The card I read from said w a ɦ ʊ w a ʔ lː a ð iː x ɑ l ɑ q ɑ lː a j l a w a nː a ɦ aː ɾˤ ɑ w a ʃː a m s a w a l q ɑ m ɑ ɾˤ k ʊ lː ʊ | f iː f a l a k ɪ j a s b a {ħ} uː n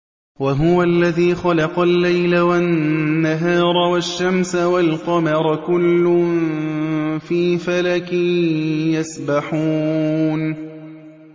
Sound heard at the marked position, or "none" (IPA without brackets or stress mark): ħ